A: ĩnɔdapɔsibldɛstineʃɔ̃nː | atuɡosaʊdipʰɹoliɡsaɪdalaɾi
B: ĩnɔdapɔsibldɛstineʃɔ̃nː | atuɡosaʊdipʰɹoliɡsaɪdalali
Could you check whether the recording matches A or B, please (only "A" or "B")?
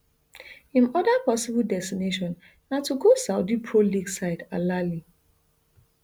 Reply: B